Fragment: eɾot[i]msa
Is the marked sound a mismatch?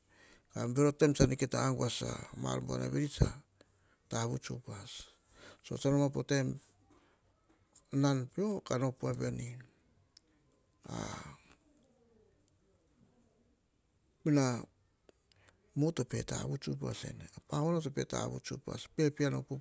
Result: yes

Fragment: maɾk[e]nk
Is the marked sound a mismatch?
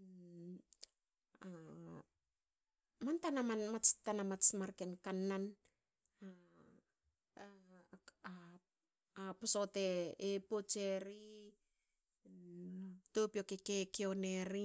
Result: no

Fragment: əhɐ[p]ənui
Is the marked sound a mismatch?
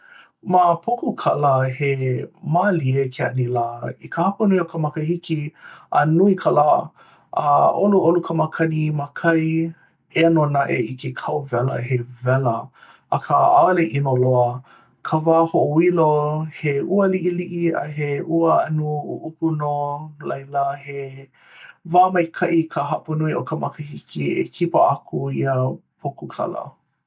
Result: no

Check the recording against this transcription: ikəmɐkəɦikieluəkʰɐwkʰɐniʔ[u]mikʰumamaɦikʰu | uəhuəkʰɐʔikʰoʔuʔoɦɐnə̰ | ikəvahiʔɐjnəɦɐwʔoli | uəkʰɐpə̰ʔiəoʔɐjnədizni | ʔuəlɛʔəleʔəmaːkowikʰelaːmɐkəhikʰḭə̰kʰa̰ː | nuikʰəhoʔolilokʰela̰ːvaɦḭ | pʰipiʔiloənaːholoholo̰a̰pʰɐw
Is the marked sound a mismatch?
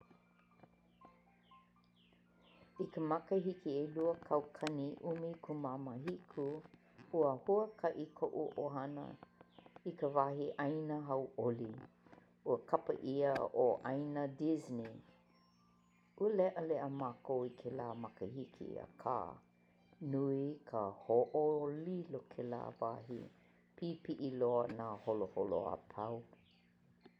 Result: no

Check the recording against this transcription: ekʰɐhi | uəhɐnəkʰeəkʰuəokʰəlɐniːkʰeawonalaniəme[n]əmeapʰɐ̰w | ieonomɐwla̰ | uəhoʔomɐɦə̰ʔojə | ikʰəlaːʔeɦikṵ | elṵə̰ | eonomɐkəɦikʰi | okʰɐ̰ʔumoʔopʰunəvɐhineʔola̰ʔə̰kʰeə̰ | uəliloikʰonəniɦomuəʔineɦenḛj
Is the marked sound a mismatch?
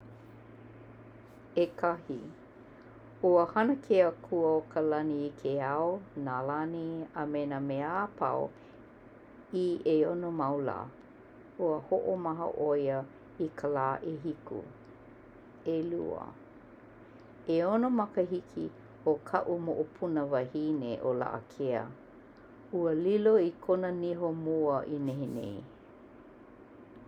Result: no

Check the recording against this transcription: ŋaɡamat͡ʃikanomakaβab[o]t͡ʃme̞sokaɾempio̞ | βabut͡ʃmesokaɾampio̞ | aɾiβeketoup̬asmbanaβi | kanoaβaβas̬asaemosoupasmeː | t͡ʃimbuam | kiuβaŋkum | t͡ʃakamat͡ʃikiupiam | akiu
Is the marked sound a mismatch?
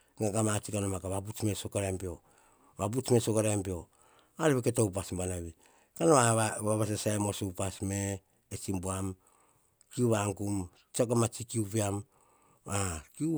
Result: yes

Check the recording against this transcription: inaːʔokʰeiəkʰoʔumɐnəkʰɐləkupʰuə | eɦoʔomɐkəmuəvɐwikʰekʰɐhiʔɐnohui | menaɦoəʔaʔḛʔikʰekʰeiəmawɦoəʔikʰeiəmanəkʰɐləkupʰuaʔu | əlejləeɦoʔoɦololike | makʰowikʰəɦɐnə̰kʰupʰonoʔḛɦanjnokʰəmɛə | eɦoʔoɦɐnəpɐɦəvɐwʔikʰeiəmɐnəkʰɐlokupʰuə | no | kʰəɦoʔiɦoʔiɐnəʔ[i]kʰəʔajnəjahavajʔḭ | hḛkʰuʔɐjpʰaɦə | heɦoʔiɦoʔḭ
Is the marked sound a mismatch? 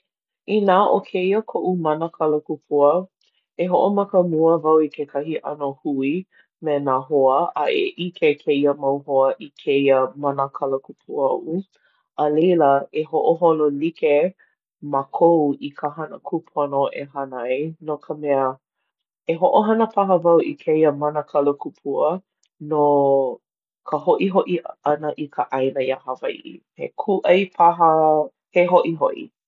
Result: no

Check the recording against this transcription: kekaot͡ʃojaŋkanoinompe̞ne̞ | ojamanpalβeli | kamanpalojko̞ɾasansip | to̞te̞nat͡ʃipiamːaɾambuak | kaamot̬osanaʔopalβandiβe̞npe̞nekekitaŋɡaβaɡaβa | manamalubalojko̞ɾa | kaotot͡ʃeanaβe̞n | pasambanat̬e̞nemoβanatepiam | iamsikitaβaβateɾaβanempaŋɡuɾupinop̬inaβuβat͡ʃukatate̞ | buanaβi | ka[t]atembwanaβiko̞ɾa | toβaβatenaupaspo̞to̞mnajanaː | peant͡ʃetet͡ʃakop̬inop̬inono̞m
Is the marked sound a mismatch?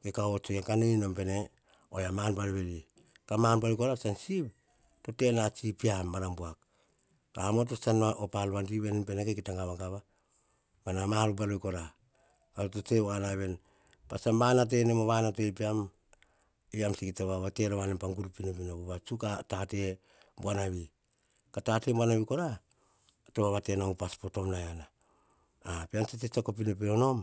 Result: no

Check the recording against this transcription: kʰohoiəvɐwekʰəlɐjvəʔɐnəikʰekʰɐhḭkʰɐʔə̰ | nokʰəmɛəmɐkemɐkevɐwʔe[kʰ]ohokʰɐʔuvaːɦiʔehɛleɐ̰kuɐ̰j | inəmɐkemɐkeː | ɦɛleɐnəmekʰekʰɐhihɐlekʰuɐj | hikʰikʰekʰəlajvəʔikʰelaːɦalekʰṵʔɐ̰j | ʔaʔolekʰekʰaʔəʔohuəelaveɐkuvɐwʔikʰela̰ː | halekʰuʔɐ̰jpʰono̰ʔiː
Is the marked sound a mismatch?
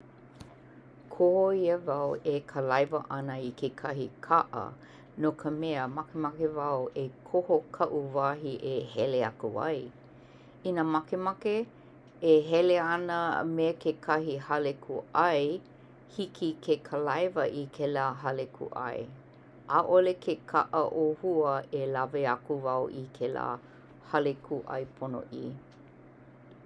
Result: no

